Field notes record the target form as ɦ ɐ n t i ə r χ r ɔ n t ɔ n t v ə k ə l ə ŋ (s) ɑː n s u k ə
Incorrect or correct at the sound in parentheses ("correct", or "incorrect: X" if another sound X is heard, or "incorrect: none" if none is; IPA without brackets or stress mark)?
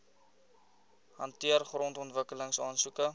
correct